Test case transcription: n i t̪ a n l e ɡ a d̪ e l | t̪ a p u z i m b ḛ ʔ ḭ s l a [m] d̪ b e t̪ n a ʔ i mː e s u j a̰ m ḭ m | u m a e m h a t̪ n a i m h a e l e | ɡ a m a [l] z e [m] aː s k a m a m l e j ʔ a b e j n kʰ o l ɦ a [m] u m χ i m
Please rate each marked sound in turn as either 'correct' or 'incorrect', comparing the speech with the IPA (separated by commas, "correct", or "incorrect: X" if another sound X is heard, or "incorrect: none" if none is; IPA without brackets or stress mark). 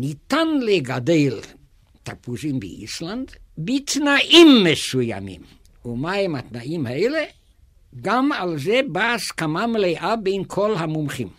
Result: incorrect: n, correct, incorrect: b, correct